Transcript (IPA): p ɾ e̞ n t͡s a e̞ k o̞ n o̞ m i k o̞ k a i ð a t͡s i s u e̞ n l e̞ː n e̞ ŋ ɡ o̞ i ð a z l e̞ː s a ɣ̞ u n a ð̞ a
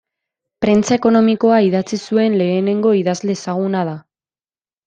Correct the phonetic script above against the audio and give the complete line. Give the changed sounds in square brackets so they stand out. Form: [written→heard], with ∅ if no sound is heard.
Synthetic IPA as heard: p ɾ e̞ n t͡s a e̞ k o̞ n o̞ m i k o̞ [k→∅] a i ð a t͡s i s u e̞ n l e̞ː n e̞ ŋ ɡ o̞ i ð a z l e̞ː s a ɣ̞ u n a ð̞ a

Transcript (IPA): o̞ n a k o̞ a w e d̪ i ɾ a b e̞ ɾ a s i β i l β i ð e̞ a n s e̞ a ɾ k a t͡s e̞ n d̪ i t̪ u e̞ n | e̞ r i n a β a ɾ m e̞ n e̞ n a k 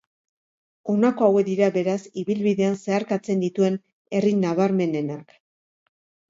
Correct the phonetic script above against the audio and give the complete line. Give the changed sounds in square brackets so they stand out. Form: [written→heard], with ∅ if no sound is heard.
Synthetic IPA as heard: o̞ n a k o̞ a w e d̪ i ɾ a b e̞ ɾ a s i β i l β i ð e̞ a n s e̞ a ɾ k a t͡s e̞ n d̪ i t̪ u e̞ n | e̞ r i n a β a ɾ m e̞ n e̞ n a k

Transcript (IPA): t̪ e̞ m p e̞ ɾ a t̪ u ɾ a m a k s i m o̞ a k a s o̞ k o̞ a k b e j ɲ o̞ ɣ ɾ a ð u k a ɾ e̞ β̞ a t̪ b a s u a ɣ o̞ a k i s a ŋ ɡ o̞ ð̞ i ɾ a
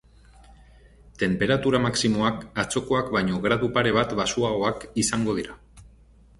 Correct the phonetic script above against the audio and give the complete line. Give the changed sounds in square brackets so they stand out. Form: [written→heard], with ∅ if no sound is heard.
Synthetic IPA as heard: t̪ e̞ m p e̞ ɾ a t̪ u ɾ a m a k s i m o̞ a k a [s→t͡s] o̞ k o̞ a k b [e→a] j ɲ o̞ ɣ ɾ a ð u [k→p] a ɾ e̞ β̞ a t̪ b a s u a ɣ o̞ a k i s a ŋ ɡ o̞ ð̞ i ɾ a

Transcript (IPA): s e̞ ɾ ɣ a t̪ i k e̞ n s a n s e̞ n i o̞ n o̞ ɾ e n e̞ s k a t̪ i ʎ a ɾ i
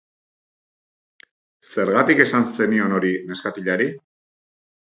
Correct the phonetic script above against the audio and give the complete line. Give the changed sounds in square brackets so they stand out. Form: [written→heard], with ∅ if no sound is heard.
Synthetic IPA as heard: s e̞ ɾ ɣ a t̪ i k e̞ [n→∅] s a n s e̞ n i o̞ n o̞ ɾ [e→i] n e̞ s k a t̪ i ʎ a ɾ i

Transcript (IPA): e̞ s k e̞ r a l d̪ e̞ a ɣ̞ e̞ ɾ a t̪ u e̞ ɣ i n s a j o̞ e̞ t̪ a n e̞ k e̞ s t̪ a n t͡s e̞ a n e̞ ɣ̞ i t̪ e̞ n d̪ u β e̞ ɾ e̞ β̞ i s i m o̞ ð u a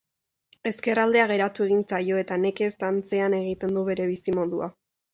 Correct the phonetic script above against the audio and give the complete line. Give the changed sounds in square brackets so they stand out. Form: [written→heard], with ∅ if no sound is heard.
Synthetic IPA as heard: e̞ s k e̞ r a l d̪ e̞ a ɣ̞ e̞ ɾ a t̪ u e̞ ɣ i n [s→t͡s] a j o̞ e̞ t̪ a n e̞ k e̞ s t̪ a n t͡s e̞ a n e̞ ɣ̞ i t̪ e̞ n d̪ u β e̞ ɾ e̞ β̞ i s i m o̞ ð u a

